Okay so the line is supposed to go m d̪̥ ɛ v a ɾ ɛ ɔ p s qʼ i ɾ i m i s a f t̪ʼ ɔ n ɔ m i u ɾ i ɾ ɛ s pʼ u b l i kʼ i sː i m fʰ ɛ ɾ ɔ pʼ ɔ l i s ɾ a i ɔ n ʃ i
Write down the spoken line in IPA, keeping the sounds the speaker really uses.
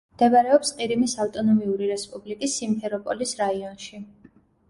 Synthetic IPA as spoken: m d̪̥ ɛ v a ɾ ɛ ɔ p s qʼ i ɾ i m i s a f t̪ʼ ɔ n ɔ m i u ɾ i ɾ ɛ s pʼ u b l i kʼ i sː i m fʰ ɛ ɾ ɔ pʼ ɔ l i s ɾ a i ɔ n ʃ i